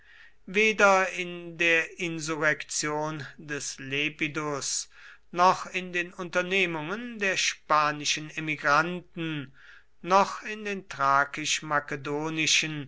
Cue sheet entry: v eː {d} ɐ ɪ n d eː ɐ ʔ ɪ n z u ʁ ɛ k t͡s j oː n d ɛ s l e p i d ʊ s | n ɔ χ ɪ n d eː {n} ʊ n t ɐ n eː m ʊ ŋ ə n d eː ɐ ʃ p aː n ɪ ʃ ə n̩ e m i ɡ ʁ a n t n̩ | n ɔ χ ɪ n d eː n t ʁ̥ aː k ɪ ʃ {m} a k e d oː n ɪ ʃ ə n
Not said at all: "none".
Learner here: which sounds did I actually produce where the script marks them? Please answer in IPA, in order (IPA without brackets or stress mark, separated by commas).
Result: d, n, m